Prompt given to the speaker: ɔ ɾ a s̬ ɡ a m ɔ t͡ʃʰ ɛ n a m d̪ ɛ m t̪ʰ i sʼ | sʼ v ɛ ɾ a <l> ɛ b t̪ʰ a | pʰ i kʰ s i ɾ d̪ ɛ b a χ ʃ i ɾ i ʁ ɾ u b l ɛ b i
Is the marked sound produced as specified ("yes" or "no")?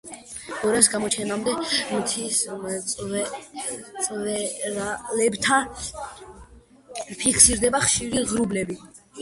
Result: yes